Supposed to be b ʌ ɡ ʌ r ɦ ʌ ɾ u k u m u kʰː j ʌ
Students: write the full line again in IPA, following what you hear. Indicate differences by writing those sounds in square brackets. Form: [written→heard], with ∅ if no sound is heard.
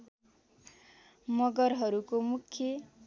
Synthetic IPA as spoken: [b→m] ʌ ɡ ʌ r ɦ ʌ ɾ u k [u→o] m u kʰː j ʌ